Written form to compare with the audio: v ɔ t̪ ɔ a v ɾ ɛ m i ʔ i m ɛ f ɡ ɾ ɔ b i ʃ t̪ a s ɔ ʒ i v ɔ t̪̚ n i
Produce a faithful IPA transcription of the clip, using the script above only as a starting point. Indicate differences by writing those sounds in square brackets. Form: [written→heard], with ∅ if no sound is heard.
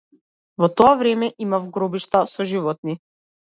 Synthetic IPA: v ɔ t̪ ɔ a v ɾ ɛ m [i→ɛ] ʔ i m [ɛ→a] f ɡ ɾ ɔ b i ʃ t̪ a s ɔ ʒ i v ɔ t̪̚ n i

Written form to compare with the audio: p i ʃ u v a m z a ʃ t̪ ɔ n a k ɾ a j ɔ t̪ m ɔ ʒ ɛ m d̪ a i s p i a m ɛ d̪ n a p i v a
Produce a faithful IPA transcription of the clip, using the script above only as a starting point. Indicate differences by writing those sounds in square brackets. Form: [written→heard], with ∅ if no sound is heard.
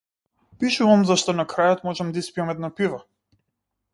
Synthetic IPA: p i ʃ u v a m z a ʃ t̪ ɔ n a k ɾ a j ɔ t̪ m ɔ ʒ ɛ m d̪ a i s p i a m ɛ d̪ n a p i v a

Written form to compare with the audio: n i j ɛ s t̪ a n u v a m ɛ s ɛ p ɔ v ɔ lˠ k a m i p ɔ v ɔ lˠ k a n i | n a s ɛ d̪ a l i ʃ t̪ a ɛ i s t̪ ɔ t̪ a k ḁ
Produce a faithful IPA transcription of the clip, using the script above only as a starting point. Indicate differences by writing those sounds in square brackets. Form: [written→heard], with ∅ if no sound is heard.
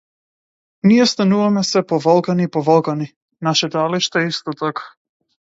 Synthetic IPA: n i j ɛ s t̪ a n u v a m ɛ s ɛ p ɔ v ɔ lˠ k a [m→n] i p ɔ v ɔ lˠ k a n i | n a [s→ʃ] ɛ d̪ a l i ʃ t̪ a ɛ i s t̪ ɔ t̪ a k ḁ

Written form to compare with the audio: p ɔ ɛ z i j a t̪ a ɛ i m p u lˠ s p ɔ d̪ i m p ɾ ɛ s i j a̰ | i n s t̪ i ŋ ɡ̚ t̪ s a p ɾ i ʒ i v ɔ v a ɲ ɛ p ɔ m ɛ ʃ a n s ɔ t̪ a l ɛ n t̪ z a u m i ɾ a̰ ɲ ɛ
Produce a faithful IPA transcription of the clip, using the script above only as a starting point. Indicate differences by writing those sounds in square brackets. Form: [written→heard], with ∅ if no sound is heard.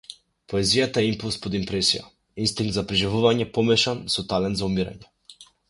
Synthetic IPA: p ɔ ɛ z i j a t̪ a ɛ i m p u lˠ s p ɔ d̪ i m p ɾ ɛ s i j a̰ | i n s t̪ i ŋ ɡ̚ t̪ [s→z] a p ɾ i ʒ i v [ɔ→u] v a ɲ ɛ p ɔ m ɛ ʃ a n s ɔ t̪ a l ɛ n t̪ z a u m i ɾ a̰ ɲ ɛ

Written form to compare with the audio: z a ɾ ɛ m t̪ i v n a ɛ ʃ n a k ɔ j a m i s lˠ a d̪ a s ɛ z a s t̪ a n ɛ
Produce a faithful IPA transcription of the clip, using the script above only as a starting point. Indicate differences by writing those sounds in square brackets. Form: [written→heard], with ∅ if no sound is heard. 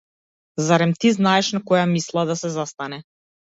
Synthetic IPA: z a ɾ ɛ m t̪ i [v→z] n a ɛ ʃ n a k ɔ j a m i s lˠ a d̪ a s ɛ z a s t̪ a n ɛ

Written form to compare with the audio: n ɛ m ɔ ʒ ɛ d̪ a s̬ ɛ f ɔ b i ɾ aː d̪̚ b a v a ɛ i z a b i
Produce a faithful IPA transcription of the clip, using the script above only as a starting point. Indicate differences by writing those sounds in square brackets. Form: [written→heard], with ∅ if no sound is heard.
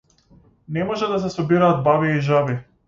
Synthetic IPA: n ɛ m ɔ ʒ ɛ d̪ a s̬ ɛ [f→s] ɔ b i ɾ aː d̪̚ b a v [a→i] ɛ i [z→ʒ] a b i

